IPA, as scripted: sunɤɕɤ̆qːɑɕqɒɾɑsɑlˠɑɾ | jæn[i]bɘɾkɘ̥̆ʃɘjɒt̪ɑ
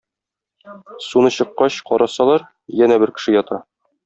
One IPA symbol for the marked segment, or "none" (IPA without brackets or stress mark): æ